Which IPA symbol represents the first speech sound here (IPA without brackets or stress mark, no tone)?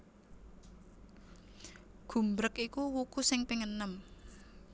ɡ̥